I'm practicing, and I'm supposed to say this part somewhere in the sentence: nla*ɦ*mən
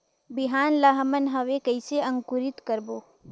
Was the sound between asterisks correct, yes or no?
yes